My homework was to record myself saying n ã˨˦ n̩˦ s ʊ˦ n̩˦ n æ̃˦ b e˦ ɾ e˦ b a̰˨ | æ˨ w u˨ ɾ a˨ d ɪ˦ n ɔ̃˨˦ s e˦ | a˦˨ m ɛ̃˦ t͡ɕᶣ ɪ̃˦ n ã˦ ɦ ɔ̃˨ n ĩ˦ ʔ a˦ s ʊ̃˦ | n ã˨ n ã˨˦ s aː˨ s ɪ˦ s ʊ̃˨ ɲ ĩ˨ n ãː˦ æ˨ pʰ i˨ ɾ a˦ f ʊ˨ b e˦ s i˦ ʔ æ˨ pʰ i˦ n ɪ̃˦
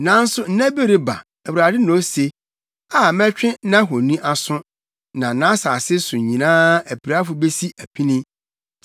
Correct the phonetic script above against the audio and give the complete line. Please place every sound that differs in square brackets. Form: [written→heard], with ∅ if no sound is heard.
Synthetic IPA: n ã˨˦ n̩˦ s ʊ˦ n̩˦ n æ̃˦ b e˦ ɾ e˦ b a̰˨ | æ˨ w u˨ ɾ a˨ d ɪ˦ n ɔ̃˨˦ s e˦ | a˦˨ m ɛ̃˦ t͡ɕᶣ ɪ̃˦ n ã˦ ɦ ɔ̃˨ n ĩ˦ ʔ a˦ s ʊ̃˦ | n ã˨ n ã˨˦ s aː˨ s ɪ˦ s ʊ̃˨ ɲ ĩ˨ n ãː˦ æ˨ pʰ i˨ ɾ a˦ f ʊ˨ b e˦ s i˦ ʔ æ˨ pʰ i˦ n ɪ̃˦